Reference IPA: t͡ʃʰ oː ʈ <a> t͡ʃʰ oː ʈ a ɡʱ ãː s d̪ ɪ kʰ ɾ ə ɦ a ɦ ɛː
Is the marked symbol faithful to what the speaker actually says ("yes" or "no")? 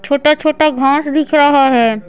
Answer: yes